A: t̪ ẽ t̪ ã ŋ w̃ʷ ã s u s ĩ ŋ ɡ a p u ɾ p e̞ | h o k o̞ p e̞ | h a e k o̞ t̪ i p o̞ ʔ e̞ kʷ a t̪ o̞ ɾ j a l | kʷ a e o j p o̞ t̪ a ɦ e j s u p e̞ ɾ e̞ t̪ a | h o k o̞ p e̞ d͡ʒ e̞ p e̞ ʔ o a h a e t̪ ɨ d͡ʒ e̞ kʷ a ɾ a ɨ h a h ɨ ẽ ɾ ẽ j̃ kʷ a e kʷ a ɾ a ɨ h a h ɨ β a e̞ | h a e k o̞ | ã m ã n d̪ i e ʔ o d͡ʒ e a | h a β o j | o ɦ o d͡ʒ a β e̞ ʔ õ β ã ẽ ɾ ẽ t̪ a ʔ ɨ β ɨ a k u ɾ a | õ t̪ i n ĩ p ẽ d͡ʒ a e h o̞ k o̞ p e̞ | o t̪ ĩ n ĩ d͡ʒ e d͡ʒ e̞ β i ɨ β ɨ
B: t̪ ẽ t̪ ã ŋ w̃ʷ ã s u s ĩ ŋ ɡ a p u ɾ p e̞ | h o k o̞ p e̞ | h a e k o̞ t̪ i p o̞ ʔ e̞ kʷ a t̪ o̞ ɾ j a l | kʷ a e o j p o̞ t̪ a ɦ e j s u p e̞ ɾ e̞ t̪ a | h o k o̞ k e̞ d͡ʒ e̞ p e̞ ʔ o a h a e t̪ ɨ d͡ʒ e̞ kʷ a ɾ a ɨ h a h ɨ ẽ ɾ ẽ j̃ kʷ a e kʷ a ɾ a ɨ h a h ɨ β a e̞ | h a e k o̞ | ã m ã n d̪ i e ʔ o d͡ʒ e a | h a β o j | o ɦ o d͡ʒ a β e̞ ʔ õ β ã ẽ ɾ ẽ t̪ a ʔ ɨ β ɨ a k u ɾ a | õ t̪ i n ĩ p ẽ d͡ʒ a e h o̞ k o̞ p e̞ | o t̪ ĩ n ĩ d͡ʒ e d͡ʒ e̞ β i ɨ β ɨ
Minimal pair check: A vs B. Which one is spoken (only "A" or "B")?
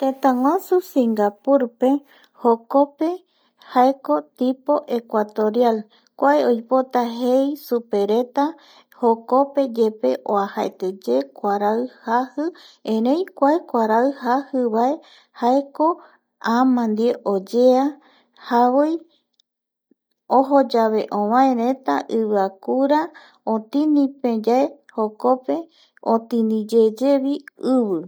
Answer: A